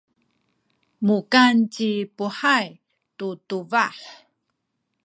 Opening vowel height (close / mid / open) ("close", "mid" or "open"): close